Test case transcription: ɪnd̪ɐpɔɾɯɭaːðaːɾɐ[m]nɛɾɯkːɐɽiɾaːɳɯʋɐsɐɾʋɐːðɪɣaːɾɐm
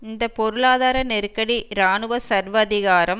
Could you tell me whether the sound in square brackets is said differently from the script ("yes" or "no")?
yes